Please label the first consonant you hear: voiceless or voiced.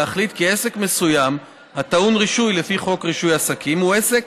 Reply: voiceless